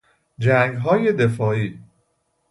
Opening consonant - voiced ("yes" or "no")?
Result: yes